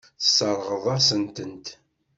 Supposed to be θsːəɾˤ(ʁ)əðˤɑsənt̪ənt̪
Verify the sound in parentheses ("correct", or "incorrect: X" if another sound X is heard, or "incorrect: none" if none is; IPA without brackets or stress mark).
correct